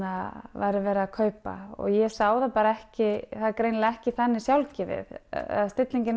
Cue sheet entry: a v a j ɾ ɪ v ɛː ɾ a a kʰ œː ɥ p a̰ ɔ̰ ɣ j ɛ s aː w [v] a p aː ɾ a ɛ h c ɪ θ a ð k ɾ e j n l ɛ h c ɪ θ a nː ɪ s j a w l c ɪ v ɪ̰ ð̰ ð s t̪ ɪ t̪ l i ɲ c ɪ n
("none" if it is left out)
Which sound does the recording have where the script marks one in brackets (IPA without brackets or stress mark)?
ð